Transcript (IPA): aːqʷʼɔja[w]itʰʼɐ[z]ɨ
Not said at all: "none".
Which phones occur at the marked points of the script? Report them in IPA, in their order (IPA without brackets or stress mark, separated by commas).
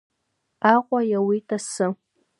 w, s